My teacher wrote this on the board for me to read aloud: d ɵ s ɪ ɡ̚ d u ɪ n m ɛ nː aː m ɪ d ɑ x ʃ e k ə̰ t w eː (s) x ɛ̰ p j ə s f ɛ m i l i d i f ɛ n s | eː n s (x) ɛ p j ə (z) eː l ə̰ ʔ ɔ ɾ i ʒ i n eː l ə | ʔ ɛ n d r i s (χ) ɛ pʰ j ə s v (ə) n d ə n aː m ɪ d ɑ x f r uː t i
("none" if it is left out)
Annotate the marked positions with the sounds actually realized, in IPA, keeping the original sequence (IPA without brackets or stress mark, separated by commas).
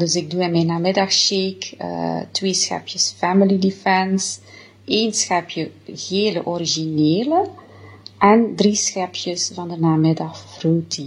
s, x, ɣ, x, ɑ